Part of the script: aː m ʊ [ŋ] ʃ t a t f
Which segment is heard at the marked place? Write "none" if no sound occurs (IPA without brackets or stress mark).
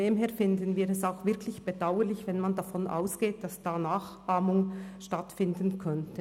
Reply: ŋ